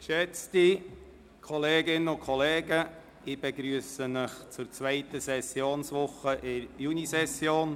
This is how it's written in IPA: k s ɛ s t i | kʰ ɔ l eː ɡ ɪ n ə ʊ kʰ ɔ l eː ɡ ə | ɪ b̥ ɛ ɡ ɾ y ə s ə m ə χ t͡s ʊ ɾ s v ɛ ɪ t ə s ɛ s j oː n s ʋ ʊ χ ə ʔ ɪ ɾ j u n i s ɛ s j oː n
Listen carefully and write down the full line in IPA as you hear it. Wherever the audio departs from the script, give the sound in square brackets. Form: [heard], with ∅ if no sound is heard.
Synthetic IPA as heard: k [ʃ] ɛ [t͡s] t i | kʰ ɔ l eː ɡ ɪ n ə ʊ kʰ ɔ l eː ɡ ə | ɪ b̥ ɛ ɡ ɾ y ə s ə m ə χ t͡s ʊ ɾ [t͡s] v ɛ ɪ t ə s ɛ s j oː n s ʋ ʊ χ ə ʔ ɪ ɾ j u n i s ɛ s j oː n